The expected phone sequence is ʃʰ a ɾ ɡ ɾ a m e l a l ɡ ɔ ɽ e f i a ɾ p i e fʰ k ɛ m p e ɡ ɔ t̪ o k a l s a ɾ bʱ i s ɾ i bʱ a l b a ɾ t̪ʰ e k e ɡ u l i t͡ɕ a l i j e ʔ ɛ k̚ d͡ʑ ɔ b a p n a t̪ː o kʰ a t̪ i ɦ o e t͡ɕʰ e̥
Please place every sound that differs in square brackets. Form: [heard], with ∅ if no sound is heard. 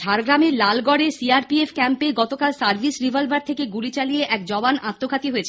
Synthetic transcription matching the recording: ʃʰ a ɾ ɡ ɾ a m e l a l ɡ ɔ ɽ e [s] i a ɾ p i e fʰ k ɛ m p e ɡ ɔ t̪ o k a l s a ɾ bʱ i s ɾ i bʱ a l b a ɾ t̪ʰ e k e ɡ u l i t͡ɕ a l i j e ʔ ɛ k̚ d͡ʑ ɔ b a [∅] n a t̪ː o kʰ a t̪ i ɦ o e t͡ɕʰ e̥